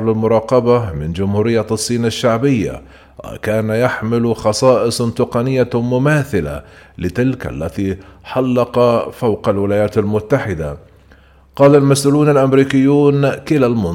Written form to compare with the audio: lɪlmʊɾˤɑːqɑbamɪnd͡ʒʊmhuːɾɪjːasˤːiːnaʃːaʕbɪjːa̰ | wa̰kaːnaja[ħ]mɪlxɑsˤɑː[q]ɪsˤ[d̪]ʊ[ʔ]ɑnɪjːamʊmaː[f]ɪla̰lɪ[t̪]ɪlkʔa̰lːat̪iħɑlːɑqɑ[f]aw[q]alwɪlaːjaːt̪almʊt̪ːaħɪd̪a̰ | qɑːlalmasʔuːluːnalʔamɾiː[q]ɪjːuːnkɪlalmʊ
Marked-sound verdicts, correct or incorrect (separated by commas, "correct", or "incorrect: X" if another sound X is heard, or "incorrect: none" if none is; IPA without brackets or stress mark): correct, incorrect: ʔ, incorrect: t̪, incorrect: q, incorrect: θ, correct, correct, correct, incorrect: k